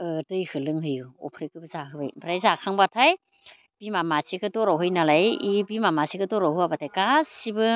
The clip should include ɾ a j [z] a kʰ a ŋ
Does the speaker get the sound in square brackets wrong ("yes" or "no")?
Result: no